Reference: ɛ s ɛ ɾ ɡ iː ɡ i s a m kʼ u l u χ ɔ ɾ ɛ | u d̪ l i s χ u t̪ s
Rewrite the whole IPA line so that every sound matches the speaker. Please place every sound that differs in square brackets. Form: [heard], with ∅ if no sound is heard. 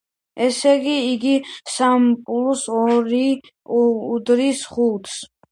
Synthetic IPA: ɛ s ɛ [∅] ɡ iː ɡ i s a m [pʼ] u l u [s] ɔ ɾ [i] | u d̪ [ɾ] i s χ u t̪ s

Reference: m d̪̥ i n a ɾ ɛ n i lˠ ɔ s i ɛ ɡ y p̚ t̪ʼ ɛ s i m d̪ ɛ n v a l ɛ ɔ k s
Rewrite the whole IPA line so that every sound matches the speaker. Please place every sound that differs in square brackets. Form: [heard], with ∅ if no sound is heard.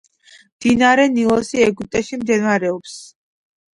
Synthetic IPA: m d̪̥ i n a ɾ ɛ n i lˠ ɔ s i ɛ ɡ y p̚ t̪ʼ ɛ [ʃ] i m d̪ ɛ n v a [ɾ] ɛ ɔ [p] s

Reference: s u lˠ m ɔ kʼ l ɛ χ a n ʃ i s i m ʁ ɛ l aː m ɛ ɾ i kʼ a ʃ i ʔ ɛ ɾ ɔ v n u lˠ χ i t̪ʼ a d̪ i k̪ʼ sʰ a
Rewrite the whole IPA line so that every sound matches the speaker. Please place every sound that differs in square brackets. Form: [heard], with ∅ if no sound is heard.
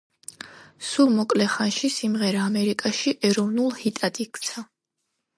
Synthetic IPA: s u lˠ m ɔ kʼ l ɛ χ a n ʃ i s i m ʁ ɛ [ɾ] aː m ɛ ɾ i kʼ a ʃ i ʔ ɛ ɾ ɔ v n u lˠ [h] i t̪ʼ a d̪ i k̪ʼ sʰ a

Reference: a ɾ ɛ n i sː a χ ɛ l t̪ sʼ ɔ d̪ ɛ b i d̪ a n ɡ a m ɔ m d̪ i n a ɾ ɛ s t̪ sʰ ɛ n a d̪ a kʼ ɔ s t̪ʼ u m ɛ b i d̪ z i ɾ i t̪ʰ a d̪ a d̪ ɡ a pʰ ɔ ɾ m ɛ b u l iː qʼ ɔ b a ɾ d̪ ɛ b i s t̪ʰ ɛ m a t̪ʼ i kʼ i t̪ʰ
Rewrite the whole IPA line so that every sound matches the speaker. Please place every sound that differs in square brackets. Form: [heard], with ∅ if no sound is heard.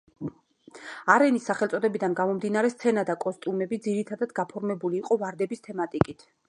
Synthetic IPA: a ɾ ɛ n i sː a χ ɛ l t̪ sʼ ɔ d̪ ɛ b i d̪ a n ɡ a m ɔ m d̪ i n a ɾ ɛ s t̪ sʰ ɛ n a d̪ a kʼ ɔ s t̪ʼ u m ɛ b i d̪ z i ɾ i t̪ʰ a d̪ a d̪ ɡ a pʰ ɔ ɾ m ɛ b u l iː qʼ ɔ [v] a ɾ d̪ ɛ b i s t̪ʰ ɛ m a t̪ʼ i kʼ i t̪ʰ

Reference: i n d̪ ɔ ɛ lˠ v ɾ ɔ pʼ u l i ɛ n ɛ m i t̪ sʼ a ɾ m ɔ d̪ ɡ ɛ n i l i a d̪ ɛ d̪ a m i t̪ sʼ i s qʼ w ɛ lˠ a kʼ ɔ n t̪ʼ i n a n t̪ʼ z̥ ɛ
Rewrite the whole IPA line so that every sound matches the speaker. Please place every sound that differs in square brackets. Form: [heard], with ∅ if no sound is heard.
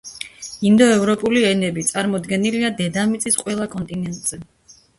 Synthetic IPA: i n d̪ ɔ ɛ [∅] v ɾ ɔ pʼ u l i ɛ n ɛ [b] i t̪ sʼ a ɾ m ɔ d̪ ɡ ɛ n i l i a d̪ ɛ d̪ a m i t̪ sʼ i s qʼ w ɛ lˠ a kʼ ɔ n t̪ʼ i n [ɛ] n t̪ʼ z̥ ɛ

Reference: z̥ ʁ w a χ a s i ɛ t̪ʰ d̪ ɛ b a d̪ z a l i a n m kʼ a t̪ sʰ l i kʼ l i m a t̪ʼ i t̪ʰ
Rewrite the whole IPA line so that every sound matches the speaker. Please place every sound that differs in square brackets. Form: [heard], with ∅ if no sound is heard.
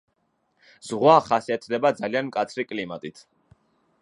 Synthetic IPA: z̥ ʁ w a χ a s i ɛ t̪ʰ d̪ ɛ b a d̪ z a l i a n m kʼ a t̪ sʰ [ɾ] i kʼ l i m a t̪ʼ i t̪ʰ

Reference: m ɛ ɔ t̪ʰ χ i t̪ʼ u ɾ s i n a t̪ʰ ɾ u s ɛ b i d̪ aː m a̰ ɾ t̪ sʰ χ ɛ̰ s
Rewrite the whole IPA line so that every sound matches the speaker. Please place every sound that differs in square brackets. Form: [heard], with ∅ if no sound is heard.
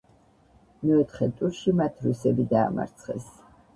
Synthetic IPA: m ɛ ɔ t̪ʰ χ [ɛ] t̪ʼ u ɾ [ʃ] i [m] a t̪ʰ ɾ u s ɛ b i d̪ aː m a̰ ɾ t̪ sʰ χ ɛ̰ s

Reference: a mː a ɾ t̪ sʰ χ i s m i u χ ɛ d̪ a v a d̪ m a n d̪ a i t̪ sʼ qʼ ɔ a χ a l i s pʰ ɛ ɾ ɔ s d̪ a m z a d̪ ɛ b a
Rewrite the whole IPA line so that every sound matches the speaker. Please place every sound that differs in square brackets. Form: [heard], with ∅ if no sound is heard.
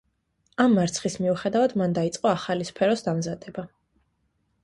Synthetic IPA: a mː a ɾ t̪ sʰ χ i s m i u χ ɛ d̪ a v a d̪ m a n d̪ a i t̪ sʼ qʼ ɔ a χ a l i s pʰ ɛ ɾ ɔ s d̪ a m z a d̪ ɛ b a

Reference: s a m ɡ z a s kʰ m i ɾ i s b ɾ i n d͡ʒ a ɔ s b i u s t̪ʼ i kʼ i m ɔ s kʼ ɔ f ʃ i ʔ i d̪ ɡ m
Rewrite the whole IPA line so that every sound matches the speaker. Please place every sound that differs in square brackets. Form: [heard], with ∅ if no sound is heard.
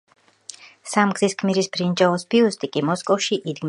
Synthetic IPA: s a m ɡ z [i] s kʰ m i ɾ i s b ɾ i n d͡ʒ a ɔ s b i u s t̪ʼ i kʼ i m ɔ s kʼ ɔ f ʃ i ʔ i d̪ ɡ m

